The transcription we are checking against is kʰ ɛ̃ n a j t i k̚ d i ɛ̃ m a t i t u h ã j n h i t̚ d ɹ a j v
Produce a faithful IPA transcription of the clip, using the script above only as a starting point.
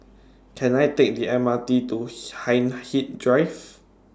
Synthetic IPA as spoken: kʰ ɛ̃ n a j t e k̚ d i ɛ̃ m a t i t u h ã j n h i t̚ d ɹ a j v